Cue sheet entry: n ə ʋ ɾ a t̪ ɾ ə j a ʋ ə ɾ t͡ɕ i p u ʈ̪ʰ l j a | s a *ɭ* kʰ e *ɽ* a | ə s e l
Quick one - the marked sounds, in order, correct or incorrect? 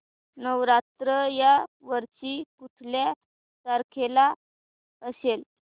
incorrect: ɾ, incorrect: l

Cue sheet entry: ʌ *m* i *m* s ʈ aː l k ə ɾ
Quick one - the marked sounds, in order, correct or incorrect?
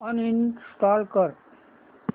incorrect: n, incorrect: n

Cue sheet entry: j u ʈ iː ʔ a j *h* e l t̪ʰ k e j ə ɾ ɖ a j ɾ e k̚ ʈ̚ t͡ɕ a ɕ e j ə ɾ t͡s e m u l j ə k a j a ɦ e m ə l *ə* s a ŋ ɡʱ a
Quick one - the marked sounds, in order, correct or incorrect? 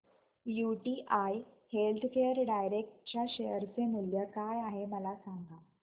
correct, incorrect: a

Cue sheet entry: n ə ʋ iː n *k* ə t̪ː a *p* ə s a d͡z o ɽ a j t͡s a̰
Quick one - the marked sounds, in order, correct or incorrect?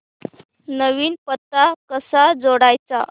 incorrect: p, incorrect: k

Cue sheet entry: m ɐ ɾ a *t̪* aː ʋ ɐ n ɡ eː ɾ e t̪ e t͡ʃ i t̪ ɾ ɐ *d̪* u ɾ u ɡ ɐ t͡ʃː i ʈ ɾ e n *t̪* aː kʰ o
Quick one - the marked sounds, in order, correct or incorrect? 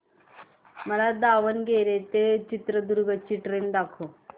incorrect: d̪, correct, incorrect: d̪

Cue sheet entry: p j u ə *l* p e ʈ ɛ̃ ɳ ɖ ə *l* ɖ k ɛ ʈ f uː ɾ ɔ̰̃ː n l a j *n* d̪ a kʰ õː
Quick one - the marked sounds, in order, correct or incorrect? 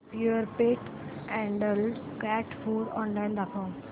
incorrect: ɾ, correct, correct

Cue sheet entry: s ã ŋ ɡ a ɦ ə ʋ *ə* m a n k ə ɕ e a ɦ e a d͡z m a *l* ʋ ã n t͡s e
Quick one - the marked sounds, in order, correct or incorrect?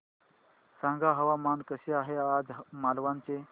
incorrect: a, correct

